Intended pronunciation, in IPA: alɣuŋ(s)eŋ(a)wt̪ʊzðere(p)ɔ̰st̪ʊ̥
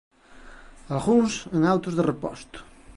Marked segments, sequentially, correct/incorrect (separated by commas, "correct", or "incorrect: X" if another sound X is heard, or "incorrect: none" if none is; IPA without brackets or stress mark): correct, correct, correct